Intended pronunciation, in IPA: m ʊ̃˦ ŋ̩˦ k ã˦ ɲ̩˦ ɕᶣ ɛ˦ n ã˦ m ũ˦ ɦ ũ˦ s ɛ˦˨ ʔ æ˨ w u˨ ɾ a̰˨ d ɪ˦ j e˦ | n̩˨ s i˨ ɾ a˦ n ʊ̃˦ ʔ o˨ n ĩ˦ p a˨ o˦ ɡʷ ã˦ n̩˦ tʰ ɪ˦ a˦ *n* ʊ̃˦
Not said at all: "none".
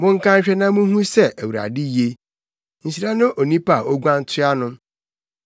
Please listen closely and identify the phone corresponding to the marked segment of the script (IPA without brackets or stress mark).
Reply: n